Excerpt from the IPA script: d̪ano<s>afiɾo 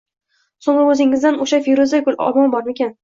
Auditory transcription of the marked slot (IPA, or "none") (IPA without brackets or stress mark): ʃ